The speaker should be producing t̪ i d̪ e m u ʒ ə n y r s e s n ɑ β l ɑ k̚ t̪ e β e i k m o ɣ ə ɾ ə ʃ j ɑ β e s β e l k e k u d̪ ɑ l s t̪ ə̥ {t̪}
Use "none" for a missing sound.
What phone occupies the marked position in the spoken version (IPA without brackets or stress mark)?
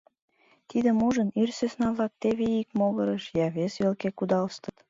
t̪